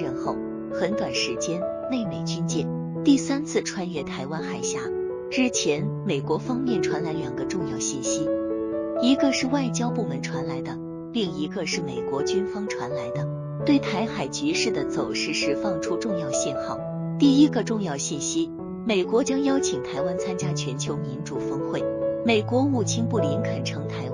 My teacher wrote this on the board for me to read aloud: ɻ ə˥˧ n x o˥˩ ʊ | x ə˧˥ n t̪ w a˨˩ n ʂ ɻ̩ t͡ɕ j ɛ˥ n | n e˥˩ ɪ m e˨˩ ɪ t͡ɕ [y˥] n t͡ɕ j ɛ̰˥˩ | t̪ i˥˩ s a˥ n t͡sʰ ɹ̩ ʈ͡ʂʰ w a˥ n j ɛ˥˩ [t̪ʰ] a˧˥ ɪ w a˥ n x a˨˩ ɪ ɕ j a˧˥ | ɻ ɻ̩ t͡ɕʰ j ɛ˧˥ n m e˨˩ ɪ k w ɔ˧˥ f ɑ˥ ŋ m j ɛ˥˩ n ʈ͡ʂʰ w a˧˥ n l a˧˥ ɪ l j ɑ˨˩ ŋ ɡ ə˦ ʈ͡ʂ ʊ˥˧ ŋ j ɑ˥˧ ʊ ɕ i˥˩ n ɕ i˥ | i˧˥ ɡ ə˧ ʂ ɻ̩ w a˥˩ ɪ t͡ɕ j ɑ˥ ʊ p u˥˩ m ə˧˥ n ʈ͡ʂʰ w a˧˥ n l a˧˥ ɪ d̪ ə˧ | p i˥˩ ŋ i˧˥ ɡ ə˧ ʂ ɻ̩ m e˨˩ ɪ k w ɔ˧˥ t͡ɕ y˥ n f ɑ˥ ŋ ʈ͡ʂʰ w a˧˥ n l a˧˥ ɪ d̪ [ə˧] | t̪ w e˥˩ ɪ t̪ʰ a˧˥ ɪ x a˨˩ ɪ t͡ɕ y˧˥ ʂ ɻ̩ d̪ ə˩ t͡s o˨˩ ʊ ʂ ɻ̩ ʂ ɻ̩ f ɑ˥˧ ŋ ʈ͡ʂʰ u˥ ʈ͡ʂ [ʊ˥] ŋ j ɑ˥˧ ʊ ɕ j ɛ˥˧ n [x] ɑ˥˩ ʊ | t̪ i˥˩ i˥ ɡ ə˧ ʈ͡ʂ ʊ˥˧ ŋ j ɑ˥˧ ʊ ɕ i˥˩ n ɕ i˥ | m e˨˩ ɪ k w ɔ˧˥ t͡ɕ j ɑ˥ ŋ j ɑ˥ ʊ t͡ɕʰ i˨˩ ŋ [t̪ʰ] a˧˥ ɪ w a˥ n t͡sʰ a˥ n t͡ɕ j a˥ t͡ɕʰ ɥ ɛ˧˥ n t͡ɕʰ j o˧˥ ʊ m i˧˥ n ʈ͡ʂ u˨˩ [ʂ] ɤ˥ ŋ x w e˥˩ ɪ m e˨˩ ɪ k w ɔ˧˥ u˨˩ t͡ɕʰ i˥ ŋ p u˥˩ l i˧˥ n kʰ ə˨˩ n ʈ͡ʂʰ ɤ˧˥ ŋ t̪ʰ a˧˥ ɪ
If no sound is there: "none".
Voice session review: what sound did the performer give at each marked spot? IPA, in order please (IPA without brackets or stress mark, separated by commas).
y˥, t̪ʰ, ə˧, ʊ˥˧, x, t̪ʰ, f